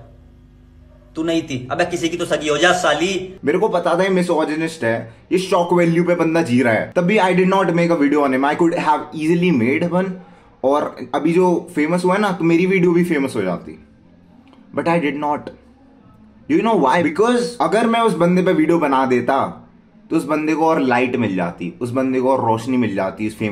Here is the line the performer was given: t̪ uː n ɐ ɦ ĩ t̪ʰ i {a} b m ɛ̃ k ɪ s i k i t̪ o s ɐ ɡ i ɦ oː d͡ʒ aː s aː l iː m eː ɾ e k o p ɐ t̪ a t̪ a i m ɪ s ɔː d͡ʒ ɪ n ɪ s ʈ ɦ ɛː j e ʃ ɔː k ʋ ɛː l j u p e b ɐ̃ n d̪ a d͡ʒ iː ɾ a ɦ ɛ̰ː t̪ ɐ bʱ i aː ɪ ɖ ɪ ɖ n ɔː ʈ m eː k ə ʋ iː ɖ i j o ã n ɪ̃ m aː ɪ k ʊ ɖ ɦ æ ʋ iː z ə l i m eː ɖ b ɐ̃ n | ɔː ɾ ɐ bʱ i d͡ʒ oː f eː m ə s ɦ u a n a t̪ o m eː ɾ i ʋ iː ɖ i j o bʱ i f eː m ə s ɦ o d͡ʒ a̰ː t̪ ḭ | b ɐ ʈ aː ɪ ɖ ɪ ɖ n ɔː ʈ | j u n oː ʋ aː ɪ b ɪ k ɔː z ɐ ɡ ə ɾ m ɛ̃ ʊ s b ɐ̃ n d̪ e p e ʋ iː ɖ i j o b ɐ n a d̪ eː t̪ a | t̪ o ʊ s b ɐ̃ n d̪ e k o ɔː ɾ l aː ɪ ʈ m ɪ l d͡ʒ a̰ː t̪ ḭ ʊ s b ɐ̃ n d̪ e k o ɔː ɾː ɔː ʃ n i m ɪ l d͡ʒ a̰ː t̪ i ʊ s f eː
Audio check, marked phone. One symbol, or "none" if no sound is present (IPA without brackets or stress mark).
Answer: ɐ